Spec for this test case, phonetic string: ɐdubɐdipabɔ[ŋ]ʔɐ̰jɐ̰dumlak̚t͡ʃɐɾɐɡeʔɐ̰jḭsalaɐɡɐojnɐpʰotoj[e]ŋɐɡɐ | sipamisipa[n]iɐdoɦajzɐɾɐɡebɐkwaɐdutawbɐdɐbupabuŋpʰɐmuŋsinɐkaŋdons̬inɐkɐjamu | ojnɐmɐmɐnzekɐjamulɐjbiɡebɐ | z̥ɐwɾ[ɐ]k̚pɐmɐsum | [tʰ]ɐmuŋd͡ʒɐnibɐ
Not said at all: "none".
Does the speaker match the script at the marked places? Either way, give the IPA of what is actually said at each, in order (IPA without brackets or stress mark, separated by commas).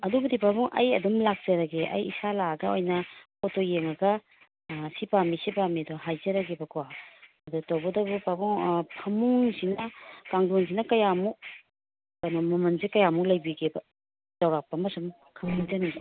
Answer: ŋ, e, m, a, kʰ